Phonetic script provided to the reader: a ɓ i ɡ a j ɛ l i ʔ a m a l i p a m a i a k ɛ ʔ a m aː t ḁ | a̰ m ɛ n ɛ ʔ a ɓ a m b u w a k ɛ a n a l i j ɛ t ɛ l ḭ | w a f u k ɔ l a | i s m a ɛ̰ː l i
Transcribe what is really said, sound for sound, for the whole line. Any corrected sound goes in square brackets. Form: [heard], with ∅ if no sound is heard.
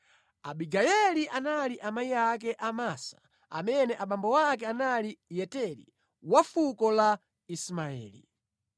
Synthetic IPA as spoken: a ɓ i ɡ a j ɛ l i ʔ a [n] a l i [ʔ] a m a i a k ɛ ʔ a m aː [s] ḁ | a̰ m ɛ n ɛ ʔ a ɓ a m b [ɔ] w a k ɛ a n a l i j ɛ t ɛ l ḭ | w a f u k ɔ l a | i s m a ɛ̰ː l i